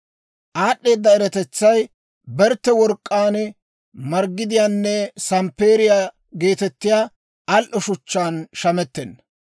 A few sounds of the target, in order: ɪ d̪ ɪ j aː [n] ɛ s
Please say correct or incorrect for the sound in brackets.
incorrect